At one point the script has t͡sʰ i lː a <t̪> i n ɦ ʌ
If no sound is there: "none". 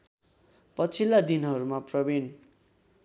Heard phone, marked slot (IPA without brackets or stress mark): d̪